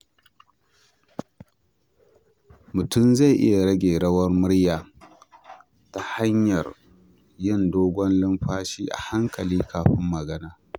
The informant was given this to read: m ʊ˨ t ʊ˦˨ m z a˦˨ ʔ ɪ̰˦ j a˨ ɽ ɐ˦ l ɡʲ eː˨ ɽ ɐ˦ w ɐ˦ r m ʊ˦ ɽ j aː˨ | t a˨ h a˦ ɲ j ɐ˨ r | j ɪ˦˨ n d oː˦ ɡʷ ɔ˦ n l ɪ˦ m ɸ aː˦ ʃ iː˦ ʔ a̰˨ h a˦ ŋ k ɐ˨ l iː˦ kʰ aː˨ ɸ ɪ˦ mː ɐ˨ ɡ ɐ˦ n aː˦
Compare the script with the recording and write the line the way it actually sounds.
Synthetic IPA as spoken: m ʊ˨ t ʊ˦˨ m z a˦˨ ʔ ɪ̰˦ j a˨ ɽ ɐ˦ ɡʲ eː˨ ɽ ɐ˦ w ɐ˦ r m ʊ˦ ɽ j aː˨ | t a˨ h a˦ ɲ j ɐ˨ r | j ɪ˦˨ n d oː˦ ɡʷ ɔ˦ n l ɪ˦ m ɸ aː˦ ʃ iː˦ ʔ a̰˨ h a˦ ŋ k ɐ˨ l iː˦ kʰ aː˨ ɸ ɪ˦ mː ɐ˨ ɡ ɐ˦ n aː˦